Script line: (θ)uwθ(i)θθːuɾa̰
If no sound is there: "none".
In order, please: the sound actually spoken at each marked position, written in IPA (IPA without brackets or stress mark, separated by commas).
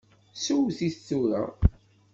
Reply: s, i